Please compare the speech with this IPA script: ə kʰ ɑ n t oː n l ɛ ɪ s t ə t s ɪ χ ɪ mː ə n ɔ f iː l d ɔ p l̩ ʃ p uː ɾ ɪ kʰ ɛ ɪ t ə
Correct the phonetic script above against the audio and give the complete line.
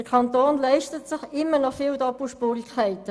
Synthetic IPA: ə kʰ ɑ n t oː n l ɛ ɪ ʃ t ə t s ɪ χ ɪ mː ə n ɔ f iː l d ɔ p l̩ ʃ p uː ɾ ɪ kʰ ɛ ɪ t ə